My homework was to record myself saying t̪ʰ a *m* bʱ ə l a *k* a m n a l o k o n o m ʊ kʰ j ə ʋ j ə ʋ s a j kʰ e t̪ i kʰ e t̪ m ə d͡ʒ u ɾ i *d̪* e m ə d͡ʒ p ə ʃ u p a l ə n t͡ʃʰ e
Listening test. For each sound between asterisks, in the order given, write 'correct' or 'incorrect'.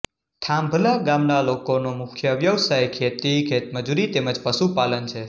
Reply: correct, incorrect, incorrect

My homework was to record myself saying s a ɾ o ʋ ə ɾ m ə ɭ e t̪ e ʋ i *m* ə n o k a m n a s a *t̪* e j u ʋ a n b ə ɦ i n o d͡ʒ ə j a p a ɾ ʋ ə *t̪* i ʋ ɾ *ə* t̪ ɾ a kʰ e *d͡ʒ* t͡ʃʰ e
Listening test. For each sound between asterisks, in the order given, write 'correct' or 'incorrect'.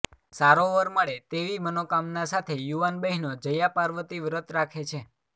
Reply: correct, incorrect, correct, correct, incorrect

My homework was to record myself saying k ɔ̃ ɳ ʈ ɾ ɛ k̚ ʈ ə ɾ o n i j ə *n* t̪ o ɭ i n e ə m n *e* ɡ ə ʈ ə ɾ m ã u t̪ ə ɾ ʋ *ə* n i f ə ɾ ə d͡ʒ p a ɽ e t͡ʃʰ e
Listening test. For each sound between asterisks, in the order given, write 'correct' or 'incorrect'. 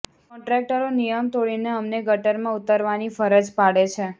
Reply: incorrect, correct, incorrect

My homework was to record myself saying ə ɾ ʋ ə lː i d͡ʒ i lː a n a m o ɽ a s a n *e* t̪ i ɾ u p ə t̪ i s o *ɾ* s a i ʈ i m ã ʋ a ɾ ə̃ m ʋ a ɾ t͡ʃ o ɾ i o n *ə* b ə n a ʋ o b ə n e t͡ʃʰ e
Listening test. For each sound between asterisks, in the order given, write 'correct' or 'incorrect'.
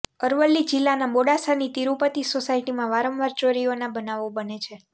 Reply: incorrect, incorrect, incorrect

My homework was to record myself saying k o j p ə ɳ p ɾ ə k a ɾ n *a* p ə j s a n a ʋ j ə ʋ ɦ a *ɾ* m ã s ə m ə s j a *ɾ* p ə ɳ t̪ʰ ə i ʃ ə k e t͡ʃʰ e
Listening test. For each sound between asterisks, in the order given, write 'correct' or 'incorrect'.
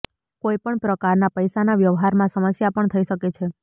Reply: correct, correct, incorrect

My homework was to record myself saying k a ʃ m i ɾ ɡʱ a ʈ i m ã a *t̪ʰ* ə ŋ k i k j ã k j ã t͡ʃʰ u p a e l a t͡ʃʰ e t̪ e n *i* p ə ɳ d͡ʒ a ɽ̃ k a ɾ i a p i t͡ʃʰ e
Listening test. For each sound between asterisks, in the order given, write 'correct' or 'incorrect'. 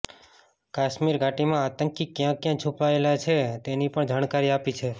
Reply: incorrect, correct

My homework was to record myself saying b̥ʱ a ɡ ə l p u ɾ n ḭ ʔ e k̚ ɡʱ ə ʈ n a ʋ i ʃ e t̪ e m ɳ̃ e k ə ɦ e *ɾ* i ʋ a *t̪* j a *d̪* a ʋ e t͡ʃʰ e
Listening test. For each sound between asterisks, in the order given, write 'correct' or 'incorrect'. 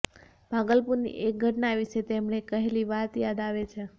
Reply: incorrect, correct, correct

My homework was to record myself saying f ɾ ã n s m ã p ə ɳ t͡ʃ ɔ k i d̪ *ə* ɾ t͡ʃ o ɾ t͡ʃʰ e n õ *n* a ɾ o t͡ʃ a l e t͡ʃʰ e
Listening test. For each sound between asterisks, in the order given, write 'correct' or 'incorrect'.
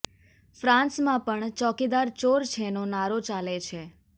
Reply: incorrect, correct

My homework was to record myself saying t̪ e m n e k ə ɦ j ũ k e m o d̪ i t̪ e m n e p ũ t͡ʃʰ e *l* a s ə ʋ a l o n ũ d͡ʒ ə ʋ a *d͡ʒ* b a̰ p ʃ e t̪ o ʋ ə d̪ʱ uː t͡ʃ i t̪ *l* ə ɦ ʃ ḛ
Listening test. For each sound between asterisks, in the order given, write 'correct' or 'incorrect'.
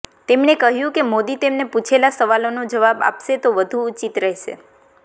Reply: correct, incorrect, incorrect

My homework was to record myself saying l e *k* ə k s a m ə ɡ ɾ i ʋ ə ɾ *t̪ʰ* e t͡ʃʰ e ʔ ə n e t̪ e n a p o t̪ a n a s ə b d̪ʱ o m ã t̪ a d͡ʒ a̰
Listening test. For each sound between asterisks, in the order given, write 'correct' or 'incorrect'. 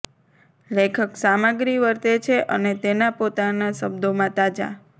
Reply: incorrect, incorrect

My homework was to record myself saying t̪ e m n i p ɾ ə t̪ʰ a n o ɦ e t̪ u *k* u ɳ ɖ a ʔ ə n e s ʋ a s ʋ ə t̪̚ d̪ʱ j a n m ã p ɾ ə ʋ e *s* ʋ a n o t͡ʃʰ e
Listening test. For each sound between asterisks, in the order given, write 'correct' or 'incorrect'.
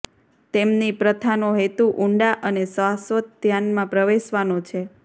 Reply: incorrect, incorrect

